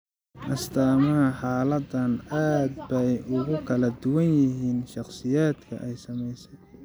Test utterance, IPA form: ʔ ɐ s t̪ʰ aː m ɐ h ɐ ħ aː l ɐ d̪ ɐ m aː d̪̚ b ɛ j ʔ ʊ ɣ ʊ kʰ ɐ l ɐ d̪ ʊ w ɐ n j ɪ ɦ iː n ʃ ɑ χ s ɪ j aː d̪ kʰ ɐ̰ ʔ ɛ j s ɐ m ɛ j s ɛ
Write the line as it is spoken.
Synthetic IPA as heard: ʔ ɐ s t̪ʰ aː m ɐ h ɐ ħ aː l ɐ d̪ ɐ n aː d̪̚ b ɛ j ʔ ʊ ɣ ʊ kʰ ɐ l ɐ d̪ ʊ w ɐ n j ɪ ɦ iː n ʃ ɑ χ s ɪ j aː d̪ kʰ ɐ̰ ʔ ɛ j s ɐ m ɛ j s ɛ